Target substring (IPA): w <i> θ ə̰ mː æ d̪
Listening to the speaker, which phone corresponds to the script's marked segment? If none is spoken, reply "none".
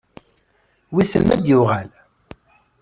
i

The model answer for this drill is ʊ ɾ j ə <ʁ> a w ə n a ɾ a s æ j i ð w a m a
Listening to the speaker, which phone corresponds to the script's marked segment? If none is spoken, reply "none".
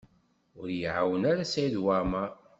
ʕ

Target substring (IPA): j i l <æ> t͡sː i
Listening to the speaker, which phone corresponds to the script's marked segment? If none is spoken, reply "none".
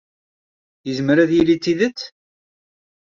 i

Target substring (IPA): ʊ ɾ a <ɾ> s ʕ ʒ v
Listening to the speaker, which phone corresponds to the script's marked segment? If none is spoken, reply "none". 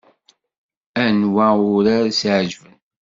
ɾ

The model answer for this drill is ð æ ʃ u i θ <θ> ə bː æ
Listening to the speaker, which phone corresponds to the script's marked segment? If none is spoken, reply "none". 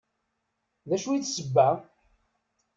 s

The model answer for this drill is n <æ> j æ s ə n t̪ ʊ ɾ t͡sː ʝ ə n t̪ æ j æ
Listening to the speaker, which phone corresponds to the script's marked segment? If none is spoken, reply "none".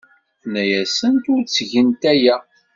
æ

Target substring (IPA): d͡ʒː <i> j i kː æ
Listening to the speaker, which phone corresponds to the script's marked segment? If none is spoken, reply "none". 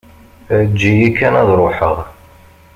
i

